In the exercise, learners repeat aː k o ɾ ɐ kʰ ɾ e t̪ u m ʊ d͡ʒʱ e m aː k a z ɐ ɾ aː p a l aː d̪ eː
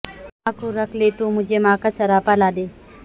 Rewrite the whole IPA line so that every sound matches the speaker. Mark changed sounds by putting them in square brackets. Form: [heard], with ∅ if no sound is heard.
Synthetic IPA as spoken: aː k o ɾ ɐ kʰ [l] e t̪ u m ʊ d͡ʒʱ e m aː k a [s] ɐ ɾ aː p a l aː d̪ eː